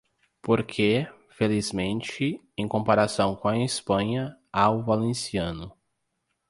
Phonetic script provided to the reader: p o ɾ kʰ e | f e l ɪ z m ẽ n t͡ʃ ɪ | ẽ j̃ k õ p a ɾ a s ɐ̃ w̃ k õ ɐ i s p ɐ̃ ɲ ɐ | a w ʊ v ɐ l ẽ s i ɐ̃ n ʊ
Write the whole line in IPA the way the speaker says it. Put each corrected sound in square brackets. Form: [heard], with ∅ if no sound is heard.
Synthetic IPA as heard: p o ɾ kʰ e | f e l [i] z m ẽ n t͡ʃ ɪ | ẽ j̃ k õ p a ɾ a s ɐ̃ w̃ k õ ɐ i s p ɐ̃ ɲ ɐ | a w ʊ v [a] l ẽ s i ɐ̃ n ʊ

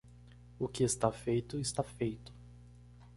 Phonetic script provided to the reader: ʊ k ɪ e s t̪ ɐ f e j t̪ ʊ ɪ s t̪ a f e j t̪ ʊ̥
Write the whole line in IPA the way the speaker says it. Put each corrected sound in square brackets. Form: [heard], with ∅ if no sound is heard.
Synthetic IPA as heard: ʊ k ɪ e s t̪ [a] f e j t̪ ʊ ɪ s t̪ a f e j t̪ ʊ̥

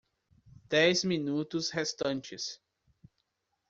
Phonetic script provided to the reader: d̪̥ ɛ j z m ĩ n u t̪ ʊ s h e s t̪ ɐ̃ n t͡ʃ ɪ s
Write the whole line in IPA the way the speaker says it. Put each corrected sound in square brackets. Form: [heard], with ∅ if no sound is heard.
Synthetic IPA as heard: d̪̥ ɛ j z m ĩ n u t̪ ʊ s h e s t̪ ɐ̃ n t͡ʃ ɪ s

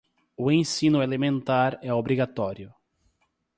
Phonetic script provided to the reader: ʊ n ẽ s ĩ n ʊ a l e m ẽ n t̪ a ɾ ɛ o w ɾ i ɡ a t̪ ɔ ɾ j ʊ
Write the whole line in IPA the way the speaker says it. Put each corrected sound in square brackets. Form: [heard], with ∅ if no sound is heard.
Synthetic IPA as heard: ʊ [∅] ẽ s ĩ n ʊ [e] l e m ẽ n t̪ a ɾ ɛ o [b] ɾ i ɡ a t̪ ɔ ɾ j ʊ

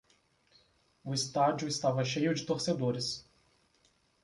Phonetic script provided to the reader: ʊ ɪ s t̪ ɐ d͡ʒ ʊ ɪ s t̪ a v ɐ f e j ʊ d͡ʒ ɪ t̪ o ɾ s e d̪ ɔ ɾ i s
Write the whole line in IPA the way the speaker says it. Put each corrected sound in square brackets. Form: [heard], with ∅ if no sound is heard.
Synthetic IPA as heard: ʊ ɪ s t̪ [a] d͡ʒ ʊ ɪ s t̪ a v ɐ [ʃ] e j ʊ d͡ʒ ɪ t̪ o ɾ s e d̪ [o] ɾ [ɪ] s

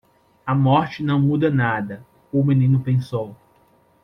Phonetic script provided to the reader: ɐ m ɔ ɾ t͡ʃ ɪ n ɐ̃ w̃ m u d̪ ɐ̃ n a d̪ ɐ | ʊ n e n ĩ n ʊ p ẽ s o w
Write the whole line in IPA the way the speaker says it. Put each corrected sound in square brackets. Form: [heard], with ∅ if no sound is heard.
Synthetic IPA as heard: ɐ m ɔ ɾ t͡ʃ ɪ n ɐ̃ w̃ m u d̪ [ɐ] n a d̪ ɐ | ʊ [m] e n ĩ n ʊ p ẽ s o w

